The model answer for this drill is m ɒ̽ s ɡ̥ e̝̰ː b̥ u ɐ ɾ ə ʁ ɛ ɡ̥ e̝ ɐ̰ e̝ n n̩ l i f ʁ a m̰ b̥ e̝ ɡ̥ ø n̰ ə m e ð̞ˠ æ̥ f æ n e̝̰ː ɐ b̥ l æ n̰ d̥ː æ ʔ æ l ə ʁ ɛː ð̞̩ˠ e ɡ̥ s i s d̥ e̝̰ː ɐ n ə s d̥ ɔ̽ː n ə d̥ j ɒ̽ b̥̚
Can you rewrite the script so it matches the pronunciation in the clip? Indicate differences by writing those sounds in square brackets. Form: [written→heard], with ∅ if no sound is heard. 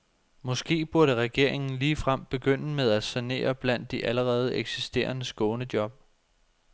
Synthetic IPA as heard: m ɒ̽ s ɡ̥ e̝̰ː b̥ u ɐ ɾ ə ʁ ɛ ɡ̥ e̝ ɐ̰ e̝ [n→ŋ] n̩ l [i→iː] f ʁ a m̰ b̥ e̝ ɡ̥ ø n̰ ə m e ð̞ˠ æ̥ [f→s] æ n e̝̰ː ɐ b̥ l æ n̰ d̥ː [æ→i] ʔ æ l ə ʁ ɛː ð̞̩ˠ e ɡ̥ s i s d̥ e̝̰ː ɐ n ə s [d̥→ɡ̥] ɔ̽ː n ə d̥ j ɒ̽ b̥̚

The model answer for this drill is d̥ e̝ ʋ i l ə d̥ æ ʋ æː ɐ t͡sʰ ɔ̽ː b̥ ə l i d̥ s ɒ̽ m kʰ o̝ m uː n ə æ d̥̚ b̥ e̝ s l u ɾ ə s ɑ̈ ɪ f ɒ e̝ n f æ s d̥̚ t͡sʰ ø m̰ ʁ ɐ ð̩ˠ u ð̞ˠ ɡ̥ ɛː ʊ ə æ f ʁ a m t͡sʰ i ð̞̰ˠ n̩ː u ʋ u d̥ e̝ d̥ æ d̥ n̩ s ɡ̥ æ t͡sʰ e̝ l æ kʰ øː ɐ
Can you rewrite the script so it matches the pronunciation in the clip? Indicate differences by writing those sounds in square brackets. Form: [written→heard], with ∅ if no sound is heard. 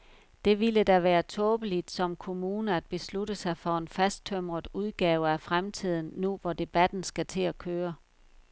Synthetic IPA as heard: d̥ e̝ ʋ i l ə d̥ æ ʋ æː ɐ t͡sʰ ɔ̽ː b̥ ə l i d̥ s ɒ̽ m kʰ o̝ m uː n ə æ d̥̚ b̥ e̝ s l u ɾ ə s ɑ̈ ɪ f ɒ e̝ n f æ s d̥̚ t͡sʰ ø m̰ ʁ ɐ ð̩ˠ u ð̞ˠ ɡ̥ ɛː ʊ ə æ f ʁ a m t͡sʰ i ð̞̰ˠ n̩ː u ʋ [u→ɒ] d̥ e̝ [d̥→b̥] æ d̥ n̩ s ɡ̥ æ t͡sʰ e̝ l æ kʰ øː ɐ

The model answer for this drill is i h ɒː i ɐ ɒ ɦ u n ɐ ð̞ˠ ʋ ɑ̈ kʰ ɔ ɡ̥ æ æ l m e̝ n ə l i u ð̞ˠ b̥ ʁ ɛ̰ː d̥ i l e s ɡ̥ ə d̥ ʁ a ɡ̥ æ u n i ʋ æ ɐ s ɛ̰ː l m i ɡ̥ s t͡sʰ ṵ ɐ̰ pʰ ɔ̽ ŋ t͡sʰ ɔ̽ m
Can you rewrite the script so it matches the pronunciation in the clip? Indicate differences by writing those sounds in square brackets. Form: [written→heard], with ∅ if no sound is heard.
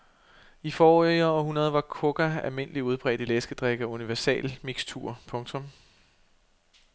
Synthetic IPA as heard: i [h→f] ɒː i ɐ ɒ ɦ u n ɐ ð̞ˠ ʋ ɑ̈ kʰ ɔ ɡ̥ æ æ l m e̝ n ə l i u ð̞ˠ b̥ ʁ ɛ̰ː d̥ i l e s ɡ̥ ə d̥ ʁ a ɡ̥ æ u n i ʋ æ ɐ s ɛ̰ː l m i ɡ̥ s t͡sʰ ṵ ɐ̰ pʰ ɔ̽ ŋ t͡sʰ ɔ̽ m

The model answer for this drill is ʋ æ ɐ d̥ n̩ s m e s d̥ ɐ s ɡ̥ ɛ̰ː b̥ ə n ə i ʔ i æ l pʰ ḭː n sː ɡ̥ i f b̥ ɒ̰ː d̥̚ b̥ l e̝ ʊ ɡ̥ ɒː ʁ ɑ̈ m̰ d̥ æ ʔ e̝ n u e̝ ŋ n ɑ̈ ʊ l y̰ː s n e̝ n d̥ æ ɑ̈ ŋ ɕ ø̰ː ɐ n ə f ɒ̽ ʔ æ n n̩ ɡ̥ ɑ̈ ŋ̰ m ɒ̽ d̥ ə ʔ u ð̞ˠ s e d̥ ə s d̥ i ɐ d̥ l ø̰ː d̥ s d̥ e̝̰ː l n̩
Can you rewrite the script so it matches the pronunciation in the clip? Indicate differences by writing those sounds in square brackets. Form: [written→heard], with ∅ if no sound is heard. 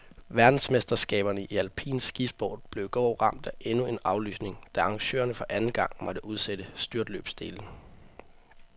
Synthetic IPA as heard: ʋ æ ɐ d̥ n̩ s m e s d̥ ɐ s ɡ̥ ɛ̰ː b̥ [ə→ɐ] n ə i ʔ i æ l pʰ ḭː n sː ɡ̥ i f b̥ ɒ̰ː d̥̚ b̥ l e̝ ʊ ɡ̥ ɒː ʁ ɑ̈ m̰ d̥ æ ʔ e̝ n u e̝ [ŋ→∅] n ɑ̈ ʊ l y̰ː s n e̝ [n→ŋ] d̥ æ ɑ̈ ŋ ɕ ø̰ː ɐ n ə f ɒ̽ ʔ æ n n̩ ɡ̥ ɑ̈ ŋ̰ m ɒ̽ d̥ ə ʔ u ð̞ˠ s e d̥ ə s d̥ [i→y] ɐ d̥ l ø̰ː [d̥→b̥] s d̥ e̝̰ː l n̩

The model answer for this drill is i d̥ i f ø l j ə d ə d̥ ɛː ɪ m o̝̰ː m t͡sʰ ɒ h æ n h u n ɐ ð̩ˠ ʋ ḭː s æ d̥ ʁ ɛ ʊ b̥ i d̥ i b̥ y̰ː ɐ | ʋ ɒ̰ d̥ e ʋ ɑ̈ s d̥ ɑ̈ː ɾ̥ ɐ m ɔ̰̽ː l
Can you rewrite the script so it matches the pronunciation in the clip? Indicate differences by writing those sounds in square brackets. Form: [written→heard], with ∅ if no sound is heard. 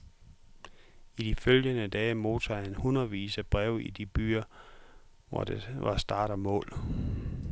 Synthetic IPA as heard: i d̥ i f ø l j ə [d→n] ə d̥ ɛː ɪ m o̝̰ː [m→∅] t͡sʰ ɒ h æ n h u n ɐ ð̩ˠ ʋ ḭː s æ [d̥→b̥] ʁ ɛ ʊ [b̥→∅] i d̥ i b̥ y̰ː ɐ | ʋ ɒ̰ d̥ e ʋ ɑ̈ s d̥ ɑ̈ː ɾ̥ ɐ m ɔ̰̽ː l

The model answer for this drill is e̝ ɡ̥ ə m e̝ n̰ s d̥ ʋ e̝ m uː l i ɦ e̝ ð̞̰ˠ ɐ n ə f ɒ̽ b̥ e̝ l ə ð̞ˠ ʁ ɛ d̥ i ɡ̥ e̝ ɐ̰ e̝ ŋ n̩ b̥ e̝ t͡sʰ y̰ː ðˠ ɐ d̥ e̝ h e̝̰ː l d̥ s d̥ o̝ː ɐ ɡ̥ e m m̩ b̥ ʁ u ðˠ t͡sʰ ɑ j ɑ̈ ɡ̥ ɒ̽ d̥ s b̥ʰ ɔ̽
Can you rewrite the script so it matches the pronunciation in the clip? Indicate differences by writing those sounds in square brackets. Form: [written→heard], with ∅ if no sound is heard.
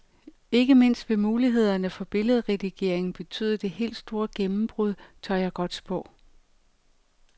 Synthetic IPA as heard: e̝ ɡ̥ ə m e̝ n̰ s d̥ ʋ e̝ m uː l i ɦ e̝ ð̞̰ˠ ɐ n ə f ɒ̽ b̥ e̝ l ə ð̞ˠ ʁ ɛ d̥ i ɡ̥ e̝ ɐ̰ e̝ ŋ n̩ b̥ e̝ t͡sʰ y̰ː ðˠ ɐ d̥ e̝ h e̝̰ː l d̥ s d̥ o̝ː ɐ ɡ̥ e m m̩ b̥ ʁ u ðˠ t͡sʰ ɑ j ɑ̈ ɡ̥ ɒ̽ d̥ s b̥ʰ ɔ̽

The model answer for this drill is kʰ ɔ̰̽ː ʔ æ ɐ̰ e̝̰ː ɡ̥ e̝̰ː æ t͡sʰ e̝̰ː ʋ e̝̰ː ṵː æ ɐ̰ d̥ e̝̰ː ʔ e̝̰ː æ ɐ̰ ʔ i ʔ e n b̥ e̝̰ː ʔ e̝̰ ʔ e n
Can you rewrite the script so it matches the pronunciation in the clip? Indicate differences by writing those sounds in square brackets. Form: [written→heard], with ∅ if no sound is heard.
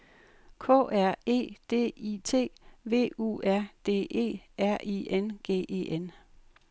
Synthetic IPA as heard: kʰ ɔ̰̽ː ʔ æ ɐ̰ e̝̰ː [ɡ̥→d̥] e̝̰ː [æ→i] t͡sʰ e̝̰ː ʋ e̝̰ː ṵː æ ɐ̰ d̥ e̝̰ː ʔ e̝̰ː æ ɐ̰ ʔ i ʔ e n [b̥→ɡ̥] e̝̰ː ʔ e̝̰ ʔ e n

